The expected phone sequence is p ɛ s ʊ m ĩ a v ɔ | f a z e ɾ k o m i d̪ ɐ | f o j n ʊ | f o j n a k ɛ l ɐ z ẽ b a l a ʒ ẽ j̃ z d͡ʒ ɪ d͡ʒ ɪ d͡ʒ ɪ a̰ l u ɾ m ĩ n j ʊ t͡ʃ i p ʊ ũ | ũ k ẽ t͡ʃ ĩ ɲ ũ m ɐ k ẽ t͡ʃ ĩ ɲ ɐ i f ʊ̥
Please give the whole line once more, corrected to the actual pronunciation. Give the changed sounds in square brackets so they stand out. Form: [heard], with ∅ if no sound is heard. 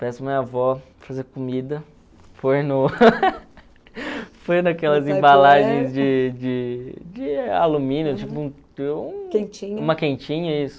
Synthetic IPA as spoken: p ɛ s ʊ m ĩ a v ɔ | f a z e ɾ k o m i d̪ ɐ | f o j n ʊ | f o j n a k ɛ l ɐ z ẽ b a l a ʒ ẽ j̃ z d͡ʒ ɪ d͡ʒ ɪ d͡ʒ ɪ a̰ l u [∅] m ĩ n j ʊ t͡ʃ i p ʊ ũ | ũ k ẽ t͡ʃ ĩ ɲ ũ m ɐ k ẽ t͡ʃ ĩ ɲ ɐ i [s] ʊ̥